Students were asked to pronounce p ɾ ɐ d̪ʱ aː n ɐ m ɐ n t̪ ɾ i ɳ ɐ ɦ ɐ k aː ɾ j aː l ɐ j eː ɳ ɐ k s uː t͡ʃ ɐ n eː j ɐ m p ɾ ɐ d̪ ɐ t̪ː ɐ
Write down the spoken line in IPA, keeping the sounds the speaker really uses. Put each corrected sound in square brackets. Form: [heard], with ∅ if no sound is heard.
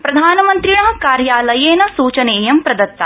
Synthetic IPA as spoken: p ɾ ɐ d̪ʱ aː n ɐ m ɐ n t̪ ɾ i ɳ ɐ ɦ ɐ k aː ɾ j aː l ɐ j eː [n] ɐ [∅] s uː t͡ʃ ɐ n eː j ɐ m p ɾ ɐ d̪ ɐ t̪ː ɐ